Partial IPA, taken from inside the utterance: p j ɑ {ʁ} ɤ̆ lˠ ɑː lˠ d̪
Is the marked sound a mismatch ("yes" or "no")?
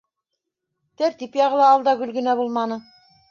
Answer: no